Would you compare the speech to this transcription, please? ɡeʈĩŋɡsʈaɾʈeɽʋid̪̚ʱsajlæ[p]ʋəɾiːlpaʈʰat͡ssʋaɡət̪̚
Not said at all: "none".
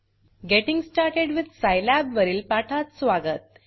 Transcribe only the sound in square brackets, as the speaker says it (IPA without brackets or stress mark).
b